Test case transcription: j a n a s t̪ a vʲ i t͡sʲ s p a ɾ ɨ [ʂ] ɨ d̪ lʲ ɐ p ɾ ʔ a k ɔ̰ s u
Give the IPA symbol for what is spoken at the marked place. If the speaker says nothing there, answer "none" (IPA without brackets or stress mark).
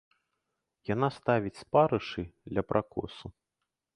ʂ